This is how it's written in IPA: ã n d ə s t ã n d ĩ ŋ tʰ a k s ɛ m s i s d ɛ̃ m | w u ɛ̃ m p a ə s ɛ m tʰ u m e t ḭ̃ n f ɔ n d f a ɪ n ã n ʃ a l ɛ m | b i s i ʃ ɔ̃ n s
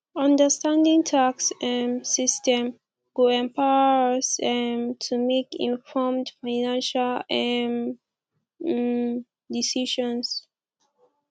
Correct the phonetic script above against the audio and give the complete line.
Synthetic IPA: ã n d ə s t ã n d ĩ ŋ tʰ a k s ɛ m s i s t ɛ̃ m | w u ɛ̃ m p a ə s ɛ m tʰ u m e k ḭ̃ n f ɔ m d f a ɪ n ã n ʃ a l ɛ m | d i s i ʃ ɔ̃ n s